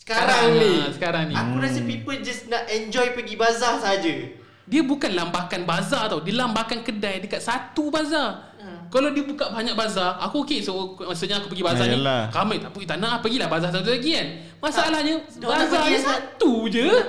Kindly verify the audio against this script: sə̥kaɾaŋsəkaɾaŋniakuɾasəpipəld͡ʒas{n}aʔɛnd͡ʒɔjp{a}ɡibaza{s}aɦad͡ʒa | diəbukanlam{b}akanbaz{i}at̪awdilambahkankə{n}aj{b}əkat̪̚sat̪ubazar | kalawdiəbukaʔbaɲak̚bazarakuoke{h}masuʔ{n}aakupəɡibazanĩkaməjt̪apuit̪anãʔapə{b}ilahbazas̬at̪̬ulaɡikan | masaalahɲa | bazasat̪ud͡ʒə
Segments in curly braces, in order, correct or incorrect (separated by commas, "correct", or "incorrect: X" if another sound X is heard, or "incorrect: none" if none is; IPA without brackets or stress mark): correct, incorrect: ə, correct, correct, incorrect: a, incorrect: d, incorrect: d, incorrect: s, incorrect: ɲ, incorrect: ɡ